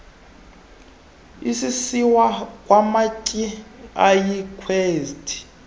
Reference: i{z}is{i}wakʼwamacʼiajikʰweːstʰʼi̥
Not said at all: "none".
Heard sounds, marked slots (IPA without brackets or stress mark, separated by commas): s, i